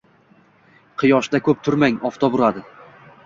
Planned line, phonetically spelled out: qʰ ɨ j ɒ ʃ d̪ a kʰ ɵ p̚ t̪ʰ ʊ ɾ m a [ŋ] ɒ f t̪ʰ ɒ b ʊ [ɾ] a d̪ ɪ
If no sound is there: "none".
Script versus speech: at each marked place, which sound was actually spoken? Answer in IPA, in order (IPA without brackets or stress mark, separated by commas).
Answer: ŋ, ɾ